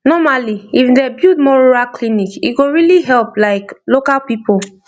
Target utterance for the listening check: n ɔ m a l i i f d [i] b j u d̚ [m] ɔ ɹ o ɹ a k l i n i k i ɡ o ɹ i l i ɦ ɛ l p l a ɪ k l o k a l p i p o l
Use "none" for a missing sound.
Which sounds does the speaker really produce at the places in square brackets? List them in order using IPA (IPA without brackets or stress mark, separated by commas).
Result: ɛ, m